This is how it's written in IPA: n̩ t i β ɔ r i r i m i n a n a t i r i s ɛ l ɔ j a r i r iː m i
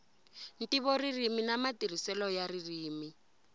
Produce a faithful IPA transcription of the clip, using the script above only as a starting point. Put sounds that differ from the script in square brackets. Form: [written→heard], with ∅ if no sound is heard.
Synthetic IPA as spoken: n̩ t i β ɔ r i r i m i n a [n→m] a t i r i s ɛ l ɔ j a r i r iː m i

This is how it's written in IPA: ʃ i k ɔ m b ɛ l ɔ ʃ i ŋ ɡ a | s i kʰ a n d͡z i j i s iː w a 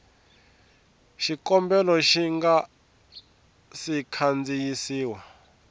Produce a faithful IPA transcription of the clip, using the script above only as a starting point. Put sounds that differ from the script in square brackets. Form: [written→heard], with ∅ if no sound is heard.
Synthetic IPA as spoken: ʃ i k ɔ m b ɛ l ɔ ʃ i ŋ ɡ a | s i kʰ a n d͡z i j i s iː w a

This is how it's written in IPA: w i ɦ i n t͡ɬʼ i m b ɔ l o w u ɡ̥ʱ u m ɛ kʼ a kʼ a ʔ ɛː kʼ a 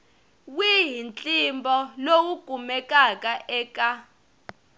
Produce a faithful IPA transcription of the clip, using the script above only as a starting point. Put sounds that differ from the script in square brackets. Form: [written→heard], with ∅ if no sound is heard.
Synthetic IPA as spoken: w i ɦ i n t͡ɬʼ i m b ɔ l o w u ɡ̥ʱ u m ɛ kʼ a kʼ a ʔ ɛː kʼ a

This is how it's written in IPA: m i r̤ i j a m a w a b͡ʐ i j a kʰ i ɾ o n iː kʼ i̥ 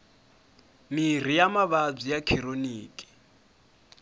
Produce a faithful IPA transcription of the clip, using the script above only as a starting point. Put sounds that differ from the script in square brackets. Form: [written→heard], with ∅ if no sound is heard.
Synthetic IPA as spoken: m i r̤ i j a m a [w→β] a b͡ʐ i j a kʰ i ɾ o n iː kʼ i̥

